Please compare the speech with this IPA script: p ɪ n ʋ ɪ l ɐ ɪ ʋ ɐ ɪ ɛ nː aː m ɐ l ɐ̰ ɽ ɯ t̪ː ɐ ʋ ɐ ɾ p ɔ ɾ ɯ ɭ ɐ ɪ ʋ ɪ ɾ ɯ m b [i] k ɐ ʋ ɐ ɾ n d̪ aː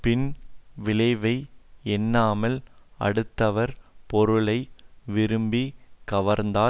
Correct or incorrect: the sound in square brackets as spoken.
correct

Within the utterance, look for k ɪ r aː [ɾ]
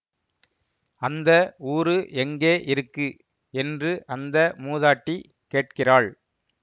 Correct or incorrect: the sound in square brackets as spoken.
incorrect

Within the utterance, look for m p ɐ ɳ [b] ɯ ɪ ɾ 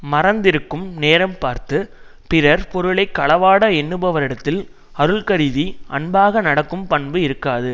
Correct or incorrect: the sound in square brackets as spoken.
correct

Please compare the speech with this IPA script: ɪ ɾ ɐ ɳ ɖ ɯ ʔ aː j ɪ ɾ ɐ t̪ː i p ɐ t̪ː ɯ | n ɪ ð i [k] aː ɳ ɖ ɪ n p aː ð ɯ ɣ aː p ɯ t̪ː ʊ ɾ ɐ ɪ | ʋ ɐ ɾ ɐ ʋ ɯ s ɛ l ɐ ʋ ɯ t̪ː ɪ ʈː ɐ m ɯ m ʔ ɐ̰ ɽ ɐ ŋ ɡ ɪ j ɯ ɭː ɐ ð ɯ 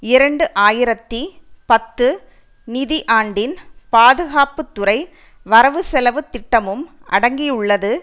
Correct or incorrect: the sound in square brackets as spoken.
incorrect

